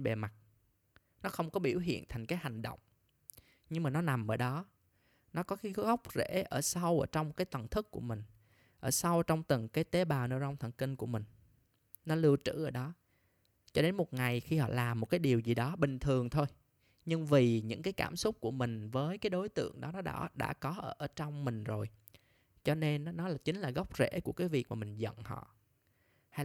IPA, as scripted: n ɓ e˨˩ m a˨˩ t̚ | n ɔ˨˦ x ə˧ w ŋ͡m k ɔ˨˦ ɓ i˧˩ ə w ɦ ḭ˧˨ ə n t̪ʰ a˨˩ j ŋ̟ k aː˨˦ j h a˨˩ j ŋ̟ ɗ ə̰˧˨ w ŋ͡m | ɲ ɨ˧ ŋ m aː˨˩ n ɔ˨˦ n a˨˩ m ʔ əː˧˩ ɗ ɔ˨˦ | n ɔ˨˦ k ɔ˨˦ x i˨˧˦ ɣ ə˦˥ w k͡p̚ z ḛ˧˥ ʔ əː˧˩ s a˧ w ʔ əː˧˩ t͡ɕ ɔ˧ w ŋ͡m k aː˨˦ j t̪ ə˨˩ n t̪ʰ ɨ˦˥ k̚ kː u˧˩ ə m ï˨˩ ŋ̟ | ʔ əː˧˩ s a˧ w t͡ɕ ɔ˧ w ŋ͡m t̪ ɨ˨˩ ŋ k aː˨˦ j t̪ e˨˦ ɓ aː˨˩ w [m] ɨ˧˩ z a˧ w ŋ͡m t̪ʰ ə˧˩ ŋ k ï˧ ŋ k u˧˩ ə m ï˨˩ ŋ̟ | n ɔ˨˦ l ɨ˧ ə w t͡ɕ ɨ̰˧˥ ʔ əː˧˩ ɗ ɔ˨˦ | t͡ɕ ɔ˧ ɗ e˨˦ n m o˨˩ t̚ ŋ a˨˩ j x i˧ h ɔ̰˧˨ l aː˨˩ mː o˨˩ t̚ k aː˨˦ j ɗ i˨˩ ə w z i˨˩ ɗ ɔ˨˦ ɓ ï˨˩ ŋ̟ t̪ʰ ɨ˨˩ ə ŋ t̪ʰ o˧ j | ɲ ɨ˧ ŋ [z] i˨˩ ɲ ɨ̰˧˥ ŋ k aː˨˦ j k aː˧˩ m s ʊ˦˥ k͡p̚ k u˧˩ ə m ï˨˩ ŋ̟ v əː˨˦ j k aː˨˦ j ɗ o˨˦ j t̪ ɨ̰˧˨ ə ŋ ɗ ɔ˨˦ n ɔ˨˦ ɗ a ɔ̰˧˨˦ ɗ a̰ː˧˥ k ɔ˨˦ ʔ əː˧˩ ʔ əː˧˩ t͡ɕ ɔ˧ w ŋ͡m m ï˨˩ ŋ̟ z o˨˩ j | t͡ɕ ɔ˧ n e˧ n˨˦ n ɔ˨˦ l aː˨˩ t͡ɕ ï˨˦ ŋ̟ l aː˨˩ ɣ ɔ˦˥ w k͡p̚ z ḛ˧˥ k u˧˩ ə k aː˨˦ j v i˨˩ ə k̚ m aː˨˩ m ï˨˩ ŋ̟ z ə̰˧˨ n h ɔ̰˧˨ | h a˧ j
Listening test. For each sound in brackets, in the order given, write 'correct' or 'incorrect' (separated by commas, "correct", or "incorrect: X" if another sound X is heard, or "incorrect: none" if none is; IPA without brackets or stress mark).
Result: incorrect: n, incorrect: v